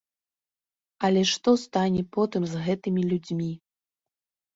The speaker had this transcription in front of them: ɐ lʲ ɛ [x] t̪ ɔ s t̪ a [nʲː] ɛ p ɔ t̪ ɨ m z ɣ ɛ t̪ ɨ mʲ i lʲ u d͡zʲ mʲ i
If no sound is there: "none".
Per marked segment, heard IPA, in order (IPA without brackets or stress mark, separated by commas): ʂ, nʲ